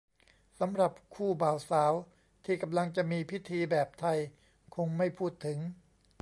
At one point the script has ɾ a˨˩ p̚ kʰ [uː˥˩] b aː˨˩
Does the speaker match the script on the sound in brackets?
yes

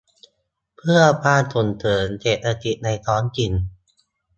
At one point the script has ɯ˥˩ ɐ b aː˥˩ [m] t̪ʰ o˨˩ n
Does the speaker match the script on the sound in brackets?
no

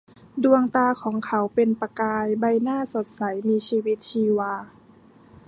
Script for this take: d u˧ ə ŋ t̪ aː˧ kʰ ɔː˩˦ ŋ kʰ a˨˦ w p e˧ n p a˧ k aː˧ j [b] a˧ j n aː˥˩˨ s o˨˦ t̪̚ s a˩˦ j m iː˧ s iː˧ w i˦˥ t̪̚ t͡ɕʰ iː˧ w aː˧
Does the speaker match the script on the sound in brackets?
yes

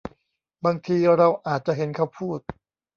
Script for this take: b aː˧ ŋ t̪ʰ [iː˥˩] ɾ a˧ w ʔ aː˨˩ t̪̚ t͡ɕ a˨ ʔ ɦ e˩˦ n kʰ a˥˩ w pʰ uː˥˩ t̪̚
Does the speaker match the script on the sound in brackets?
no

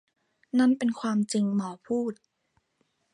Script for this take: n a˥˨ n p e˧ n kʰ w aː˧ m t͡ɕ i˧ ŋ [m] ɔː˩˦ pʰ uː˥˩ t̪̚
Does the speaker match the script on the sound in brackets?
yes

